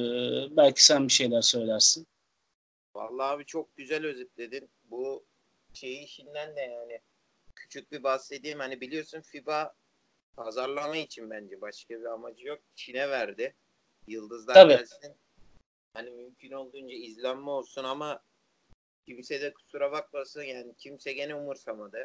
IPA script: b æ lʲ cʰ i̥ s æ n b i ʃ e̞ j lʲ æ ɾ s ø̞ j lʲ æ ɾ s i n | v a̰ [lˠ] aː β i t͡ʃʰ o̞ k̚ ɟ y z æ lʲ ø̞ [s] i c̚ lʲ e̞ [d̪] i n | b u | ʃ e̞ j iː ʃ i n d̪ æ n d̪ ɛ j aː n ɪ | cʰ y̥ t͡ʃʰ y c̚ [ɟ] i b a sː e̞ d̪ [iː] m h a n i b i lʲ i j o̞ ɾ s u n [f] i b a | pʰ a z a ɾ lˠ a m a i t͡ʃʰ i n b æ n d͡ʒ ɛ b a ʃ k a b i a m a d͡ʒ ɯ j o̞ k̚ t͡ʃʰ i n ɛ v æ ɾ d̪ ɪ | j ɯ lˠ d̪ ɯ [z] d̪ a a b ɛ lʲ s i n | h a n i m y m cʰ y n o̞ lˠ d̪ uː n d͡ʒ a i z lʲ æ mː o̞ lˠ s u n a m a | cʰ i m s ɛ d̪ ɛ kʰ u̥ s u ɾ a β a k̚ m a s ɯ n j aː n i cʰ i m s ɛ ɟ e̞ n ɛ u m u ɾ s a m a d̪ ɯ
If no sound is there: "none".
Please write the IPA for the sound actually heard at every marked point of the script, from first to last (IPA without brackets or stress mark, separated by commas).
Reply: lˠː, z, d̪, b, iː, f, z